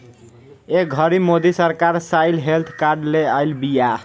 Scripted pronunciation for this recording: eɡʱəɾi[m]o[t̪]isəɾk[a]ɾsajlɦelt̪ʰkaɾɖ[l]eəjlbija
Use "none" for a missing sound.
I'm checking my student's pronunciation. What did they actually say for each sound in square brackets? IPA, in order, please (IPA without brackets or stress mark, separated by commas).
m, d̪, a, l